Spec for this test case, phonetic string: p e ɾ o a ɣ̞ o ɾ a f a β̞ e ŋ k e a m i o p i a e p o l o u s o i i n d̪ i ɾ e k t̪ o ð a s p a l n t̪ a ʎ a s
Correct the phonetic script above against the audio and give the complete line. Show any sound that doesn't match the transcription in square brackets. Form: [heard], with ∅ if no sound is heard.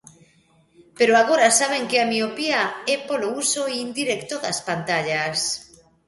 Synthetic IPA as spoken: p e ɾ o a ɣ̞ o ɾ a [s] a β̞ e ŋ k e a m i o p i a e p o l o u s o i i n d̪ i ɾ e k t̪ o ð a s p a [∅] n t̪ a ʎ a s